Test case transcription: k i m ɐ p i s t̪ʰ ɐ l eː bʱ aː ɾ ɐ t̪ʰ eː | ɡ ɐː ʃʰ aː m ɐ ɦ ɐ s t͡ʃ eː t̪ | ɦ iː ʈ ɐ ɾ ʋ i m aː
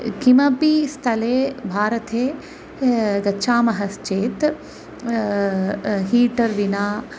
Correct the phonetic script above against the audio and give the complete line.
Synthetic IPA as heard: k i m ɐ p i s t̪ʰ ɐ l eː bʱ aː ɾ ɐ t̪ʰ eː | ɡ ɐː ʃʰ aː m ɐ ɦ ɐ s t͡ʃ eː t̪ | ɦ iː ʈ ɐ ɾ ʋ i n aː